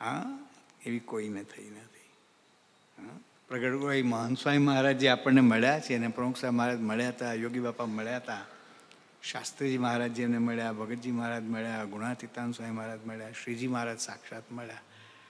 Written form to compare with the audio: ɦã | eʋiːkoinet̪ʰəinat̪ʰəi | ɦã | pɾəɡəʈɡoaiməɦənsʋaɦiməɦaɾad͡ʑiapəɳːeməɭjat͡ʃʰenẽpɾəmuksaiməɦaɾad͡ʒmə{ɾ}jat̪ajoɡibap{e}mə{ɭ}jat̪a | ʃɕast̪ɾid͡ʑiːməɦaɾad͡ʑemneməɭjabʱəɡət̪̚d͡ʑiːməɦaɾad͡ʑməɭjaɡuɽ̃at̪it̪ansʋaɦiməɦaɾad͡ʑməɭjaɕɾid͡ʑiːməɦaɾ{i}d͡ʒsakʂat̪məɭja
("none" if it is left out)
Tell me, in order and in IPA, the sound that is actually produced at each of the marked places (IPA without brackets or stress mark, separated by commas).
ɭ, a, ɭ, a